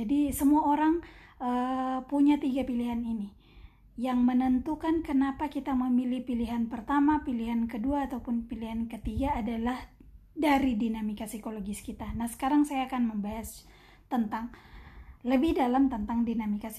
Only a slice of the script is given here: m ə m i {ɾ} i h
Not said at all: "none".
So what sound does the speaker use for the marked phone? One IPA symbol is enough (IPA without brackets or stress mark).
l